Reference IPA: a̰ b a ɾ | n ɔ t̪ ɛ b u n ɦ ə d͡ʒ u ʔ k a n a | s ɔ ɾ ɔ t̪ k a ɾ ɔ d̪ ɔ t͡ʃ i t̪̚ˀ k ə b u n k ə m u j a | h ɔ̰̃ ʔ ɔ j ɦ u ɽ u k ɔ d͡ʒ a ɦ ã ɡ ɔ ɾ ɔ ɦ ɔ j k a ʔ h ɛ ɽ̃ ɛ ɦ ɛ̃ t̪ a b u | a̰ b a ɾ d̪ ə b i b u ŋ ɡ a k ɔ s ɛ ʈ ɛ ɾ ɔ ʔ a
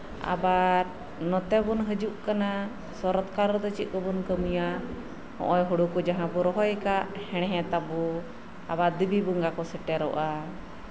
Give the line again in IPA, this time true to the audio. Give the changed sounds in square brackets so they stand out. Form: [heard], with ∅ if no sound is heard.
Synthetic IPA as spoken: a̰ b a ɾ | n ɔ t̪ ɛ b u n ɦ ə d͡ʒ u ʔ k a n a | s ɔ ɾ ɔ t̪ k a ɾ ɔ d̪ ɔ t͡ʃ i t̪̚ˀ k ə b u n k ə m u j a | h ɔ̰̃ ʔ ɔ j ɦ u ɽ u k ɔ d͡ʒ a ɦ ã [b] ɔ ɾ ɔ ɦ ɔ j k a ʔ h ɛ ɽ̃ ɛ ɦ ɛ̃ t̪ a b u | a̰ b a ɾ d̪ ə b i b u ŋ ɡ a k ɔ s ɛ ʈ ɛ ɾ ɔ ʔ a